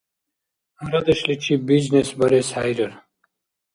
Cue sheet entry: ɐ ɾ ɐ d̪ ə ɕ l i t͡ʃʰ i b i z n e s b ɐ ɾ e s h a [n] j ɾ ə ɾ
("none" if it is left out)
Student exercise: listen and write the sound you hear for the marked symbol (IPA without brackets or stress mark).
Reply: none